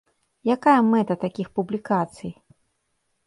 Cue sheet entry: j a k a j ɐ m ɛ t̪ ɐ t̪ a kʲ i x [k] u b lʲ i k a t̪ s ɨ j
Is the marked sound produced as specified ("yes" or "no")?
no